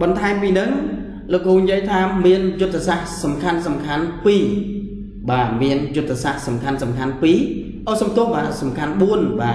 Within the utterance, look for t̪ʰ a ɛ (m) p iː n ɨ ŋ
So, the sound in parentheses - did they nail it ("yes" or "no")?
yes